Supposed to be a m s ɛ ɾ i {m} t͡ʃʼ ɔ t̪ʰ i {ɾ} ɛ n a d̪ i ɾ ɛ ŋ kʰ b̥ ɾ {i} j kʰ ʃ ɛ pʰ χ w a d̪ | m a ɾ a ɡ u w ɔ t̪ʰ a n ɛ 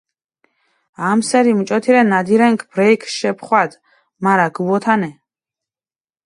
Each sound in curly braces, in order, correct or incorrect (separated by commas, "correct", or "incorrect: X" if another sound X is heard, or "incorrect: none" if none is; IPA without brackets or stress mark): correct, correct, incorrect: ɛ